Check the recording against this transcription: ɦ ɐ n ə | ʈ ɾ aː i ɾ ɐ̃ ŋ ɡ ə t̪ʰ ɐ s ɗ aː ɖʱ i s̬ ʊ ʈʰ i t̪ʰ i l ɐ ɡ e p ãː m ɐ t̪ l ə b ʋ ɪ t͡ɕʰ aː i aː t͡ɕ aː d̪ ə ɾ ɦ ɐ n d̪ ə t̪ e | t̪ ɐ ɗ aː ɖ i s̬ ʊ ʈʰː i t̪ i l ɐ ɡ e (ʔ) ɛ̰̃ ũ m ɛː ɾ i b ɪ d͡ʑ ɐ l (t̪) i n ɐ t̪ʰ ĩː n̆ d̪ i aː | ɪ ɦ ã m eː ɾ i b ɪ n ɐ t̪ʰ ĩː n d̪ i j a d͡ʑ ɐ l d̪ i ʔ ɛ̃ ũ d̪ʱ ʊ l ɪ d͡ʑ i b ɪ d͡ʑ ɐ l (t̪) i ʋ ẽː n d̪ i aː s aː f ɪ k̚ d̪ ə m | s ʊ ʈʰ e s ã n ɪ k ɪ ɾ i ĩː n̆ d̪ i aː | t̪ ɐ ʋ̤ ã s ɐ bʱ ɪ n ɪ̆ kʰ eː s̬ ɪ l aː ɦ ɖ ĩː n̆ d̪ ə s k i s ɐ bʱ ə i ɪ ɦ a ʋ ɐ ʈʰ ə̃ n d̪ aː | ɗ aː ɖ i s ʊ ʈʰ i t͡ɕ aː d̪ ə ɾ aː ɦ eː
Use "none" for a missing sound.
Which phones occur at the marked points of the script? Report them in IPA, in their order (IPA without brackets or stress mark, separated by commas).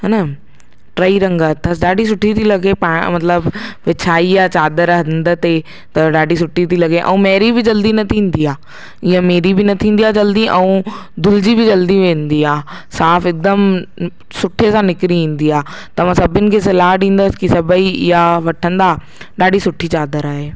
ʔ, d̪, d̪